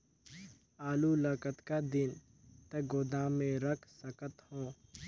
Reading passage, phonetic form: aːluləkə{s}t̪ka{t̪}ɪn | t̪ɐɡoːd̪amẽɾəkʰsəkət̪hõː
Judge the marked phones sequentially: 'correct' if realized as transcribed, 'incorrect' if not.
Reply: incorrect: none, incorrect: d̪

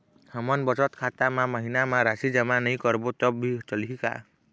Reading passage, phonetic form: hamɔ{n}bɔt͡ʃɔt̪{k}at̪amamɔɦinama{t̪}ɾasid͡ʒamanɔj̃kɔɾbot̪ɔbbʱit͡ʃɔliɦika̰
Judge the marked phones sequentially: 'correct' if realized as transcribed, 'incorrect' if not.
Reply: correct, incorrect: kʰ, incorrect: none

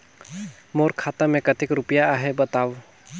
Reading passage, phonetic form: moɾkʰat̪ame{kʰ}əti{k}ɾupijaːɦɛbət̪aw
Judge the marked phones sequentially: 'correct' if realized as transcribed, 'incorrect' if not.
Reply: incorrect: k, correct

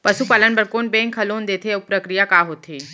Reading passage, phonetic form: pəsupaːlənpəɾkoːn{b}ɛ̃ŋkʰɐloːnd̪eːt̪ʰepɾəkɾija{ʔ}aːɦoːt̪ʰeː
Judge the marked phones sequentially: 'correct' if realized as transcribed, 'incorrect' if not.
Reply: correct, incorrect: k

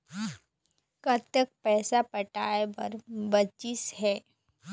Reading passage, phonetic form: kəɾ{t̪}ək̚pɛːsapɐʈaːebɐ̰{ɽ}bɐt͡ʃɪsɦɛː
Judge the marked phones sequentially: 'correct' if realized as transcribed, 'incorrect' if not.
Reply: correct, incorrect: ɾ

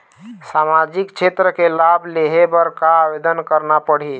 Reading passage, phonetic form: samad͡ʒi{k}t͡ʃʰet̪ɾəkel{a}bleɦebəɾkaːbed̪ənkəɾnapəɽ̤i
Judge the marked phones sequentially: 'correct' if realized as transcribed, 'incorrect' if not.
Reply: correct, correct

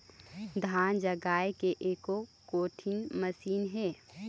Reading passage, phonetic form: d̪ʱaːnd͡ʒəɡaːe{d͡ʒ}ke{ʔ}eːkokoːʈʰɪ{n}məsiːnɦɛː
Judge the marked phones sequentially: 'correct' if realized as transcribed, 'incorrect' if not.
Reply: incorrect: none, correct, correct

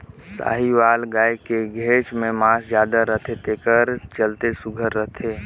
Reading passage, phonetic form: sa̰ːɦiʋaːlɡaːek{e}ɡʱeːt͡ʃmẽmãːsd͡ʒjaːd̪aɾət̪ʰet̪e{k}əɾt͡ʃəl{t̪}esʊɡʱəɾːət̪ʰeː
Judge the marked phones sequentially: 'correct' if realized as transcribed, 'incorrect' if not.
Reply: correct, correct, correct

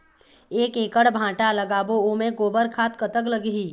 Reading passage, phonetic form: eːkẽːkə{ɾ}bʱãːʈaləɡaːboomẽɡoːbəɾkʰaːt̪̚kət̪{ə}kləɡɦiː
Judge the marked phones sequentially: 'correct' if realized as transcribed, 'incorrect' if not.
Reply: incorrect: ɽ, correct

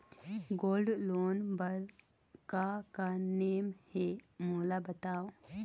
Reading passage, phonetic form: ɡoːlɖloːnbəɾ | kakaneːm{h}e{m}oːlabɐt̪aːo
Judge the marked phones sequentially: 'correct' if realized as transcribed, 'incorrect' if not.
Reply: correct, correct

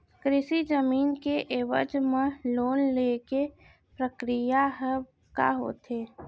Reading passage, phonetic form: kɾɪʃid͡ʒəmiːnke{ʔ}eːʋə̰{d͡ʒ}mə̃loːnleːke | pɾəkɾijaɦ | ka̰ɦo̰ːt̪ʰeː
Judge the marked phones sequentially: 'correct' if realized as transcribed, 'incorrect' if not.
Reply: correct, correct

